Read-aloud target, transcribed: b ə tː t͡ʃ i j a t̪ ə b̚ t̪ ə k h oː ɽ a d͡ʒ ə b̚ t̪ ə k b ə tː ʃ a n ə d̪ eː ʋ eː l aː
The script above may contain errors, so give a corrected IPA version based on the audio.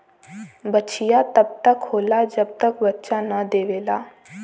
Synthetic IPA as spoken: b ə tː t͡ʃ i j a t̪ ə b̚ t̪ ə k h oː l a d͡ʒ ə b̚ t̪ ə k b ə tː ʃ a n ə d̪ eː ʋ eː l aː